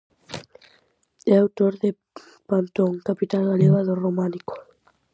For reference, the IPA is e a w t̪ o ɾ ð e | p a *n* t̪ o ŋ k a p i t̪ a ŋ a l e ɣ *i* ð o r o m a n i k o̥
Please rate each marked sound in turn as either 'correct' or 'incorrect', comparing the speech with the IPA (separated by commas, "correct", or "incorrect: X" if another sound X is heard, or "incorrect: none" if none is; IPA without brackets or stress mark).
correct, incorrect: a